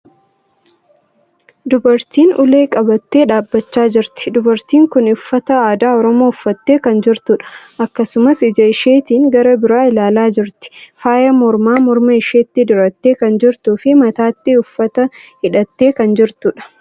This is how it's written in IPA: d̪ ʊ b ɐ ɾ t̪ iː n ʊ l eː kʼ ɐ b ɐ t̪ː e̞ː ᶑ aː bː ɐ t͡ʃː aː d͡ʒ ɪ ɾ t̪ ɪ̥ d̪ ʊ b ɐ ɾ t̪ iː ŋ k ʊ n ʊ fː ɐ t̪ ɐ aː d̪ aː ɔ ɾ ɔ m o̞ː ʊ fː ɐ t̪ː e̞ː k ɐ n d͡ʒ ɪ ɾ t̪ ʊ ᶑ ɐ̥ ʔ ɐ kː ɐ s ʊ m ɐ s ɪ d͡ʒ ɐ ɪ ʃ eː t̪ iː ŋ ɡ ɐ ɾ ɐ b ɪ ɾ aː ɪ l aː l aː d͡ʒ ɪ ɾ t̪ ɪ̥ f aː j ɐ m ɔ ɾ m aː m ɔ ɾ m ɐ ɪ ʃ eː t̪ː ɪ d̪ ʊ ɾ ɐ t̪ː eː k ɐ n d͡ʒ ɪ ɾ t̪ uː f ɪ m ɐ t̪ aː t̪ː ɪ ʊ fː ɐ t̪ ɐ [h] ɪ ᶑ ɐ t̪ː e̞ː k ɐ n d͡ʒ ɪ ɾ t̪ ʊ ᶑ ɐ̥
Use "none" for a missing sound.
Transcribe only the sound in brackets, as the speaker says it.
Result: h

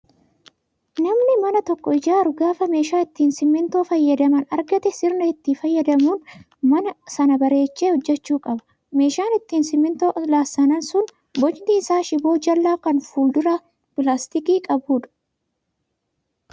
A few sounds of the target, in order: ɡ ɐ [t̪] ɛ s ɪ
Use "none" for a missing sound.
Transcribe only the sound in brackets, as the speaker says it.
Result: t̪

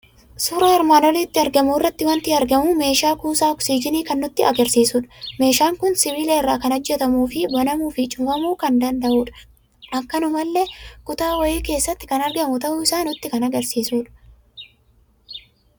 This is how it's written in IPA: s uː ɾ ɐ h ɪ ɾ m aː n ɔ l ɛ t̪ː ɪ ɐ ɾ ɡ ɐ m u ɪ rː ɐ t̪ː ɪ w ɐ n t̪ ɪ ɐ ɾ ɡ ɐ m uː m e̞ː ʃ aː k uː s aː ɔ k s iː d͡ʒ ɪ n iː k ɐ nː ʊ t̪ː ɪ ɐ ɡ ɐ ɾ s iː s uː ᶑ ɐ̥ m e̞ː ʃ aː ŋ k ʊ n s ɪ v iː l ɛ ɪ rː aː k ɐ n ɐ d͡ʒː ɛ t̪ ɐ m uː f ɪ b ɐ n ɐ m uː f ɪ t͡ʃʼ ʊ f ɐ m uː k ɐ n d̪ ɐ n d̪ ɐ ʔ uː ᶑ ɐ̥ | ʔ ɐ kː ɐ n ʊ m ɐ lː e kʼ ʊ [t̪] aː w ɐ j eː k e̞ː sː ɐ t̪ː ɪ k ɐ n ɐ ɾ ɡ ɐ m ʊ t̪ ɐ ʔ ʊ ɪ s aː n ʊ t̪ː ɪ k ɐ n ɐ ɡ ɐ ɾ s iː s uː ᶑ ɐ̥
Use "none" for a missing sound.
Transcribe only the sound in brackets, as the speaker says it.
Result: t̪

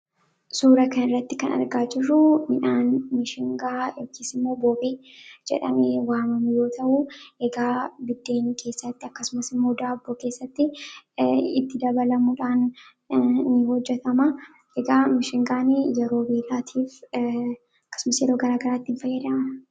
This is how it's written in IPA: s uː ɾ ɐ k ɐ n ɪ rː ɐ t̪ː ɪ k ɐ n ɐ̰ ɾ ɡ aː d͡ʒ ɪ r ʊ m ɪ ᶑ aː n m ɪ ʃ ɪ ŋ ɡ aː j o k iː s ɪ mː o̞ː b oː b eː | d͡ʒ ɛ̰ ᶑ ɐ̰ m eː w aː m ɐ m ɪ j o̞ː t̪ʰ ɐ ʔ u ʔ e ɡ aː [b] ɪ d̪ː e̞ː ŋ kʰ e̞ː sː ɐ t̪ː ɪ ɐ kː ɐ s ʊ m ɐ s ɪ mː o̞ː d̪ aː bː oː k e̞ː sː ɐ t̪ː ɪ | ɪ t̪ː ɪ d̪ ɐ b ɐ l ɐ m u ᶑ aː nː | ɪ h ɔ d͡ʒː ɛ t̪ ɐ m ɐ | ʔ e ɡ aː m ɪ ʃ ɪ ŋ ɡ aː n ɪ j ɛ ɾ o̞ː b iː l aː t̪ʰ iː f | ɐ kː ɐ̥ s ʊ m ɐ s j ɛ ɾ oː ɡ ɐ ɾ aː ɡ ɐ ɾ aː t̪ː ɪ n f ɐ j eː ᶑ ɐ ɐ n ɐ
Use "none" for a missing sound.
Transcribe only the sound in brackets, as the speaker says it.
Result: b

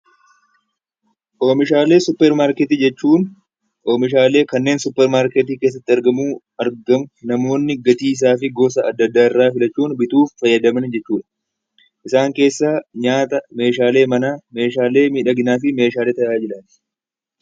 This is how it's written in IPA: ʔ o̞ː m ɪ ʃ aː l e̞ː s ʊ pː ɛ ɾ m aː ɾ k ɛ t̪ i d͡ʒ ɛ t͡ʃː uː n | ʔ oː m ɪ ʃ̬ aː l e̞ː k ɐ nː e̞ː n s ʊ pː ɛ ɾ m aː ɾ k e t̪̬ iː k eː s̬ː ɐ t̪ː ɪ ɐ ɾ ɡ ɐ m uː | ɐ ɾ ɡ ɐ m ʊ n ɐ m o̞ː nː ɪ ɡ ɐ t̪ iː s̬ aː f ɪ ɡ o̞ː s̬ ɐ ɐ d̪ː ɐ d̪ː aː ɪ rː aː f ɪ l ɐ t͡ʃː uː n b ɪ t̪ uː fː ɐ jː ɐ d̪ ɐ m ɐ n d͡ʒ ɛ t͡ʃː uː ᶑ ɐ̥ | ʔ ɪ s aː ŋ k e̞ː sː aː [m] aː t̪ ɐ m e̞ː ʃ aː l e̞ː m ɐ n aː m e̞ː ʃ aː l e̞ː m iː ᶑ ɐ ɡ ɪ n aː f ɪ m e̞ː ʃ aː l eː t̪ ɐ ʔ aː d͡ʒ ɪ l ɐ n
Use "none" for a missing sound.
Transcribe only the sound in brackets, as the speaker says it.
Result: ɲ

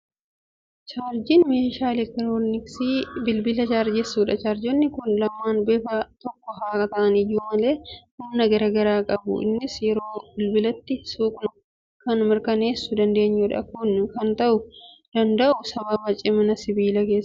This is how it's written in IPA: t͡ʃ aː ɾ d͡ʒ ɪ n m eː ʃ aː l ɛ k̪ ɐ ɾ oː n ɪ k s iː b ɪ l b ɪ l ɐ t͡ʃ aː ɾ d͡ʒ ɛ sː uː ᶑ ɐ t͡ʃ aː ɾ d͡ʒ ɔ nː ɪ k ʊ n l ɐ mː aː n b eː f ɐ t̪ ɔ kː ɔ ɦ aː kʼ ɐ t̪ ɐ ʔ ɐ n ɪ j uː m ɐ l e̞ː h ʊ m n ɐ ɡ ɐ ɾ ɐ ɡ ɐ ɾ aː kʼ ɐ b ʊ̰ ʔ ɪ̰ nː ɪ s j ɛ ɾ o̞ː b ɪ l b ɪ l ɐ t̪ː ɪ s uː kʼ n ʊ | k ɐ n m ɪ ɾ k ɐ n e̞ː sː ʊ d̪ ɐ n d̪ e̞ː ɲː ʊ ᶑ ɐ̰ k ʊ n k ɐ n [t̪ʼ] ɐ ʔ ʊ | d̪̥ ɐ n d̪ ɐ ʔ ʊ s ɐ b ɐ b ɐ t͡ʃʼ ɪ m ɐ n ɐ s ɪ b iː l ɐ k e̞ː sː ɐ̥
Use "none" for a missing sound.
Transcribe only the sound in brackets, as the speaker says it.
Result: t̪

